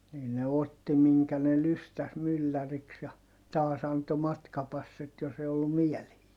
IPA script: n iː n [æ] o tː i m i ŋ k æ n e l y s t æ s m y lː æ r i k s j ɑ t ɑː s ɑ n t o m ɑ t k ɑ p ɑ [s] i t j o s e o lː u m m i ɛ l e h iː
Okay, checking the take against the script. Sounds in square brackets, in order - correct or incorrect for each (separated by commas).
incorrect, incorrect